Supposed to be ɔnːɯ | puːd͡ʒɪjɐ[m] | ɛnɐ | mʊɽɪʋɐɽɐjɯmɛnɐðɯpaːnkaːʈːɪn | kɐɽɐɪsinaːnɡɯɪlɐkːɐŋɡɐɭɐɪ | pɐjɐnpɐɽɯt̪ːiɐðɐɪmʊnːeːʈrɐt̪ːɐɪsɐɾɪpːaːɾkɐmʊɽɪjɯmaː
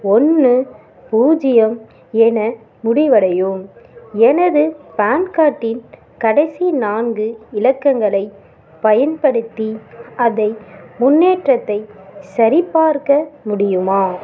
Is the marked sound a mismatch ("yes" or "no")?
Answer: no